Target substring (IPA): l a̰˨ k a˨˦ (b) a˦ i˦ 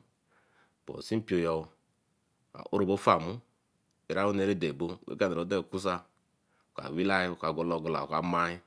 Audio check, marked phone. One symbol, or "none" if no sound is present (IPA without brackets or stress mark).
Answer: m